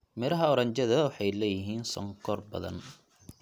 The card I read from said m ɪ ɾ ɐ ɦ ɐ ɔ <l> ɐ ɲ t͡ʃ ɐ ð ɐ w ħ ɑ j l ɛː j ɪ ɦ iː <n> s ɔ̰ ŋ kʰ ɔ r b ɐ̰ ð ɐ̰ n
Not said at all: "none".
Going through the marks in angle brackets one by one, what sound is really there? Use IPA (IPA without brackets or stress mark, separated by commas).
ɾ, n